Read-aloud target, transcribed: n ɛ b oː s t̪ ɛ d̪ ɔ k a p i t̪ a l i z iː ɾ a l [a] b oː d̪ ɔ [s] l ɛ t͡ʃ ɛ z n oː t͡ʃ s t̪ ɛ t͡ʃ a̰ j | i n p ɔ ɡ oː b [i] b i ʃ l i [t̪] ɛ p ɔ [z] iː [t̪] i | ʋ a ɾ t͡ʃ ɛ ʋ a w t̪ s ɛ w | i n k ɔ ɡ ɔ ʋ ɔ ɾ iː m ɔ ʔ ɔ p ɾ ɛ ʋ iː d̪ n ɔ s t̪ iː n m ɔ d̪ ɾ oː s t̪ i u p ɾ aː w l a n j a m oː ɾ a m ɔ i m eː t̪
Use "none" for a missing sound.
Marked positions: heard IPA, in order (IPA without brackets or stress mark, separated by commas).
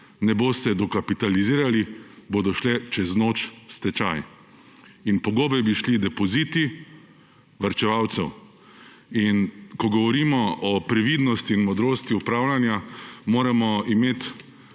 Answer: i, ʃ, ɛ, d̪, z, t̪